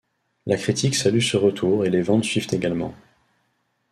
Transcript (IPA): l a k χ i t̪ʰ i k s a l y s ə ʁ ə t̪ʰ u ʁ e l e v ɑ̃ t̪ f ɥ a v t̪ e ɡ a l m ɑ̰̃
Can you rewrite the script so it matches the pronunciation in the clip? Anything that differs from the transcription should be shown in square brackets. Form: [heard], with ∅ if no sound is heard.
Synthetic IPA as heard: l a k χ i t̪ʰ i k s a l y s ə ʁ ə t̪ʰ u ʁ e l e v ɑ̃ t̪ [s] ɥ [i] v t̪ e ɡ a l m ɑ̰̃